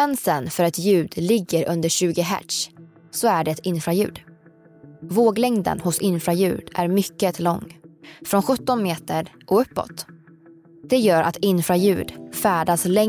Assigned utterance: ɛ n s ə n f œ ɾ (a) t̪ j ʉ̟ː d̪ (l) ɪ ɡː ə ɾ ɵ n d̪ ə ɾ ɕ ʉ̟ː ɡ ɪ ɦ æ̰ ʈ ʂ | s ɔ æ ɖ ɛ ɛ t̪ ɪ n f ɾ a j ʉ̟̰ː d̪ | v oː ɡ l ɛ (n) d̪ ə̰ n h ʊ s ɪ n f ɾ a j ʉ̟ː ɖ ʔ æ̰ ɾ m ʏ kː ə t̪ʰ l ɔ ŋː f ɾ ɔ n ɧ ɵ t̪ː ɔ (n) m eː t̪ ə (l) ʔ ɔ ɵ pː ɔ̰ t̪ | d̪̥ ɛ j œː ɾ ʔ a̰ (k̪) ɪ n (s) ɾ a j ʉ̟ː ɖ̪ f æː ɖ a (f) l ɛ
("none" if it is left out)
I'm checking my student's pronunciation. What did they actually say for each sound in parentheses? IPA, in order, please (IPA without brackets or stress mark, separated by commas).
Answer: ɛ, l, ŋ, n, ɾ, t̪, f, s